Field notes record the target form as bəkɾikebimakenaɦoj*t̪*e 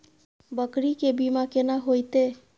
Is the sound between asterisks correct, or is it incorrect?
correct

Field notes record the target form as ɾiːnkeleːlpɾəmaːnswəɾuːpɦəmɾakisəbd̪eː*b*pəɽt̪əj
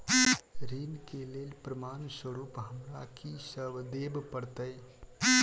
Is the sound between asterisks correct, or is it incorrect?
correct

